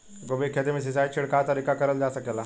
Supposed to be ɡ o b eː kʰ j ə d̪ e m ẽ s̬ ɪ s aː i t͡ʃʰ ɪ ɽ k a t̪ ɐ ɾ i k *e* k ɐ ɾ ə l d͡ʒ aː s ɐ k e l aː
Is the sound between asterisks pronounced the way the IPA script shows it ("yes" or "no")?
no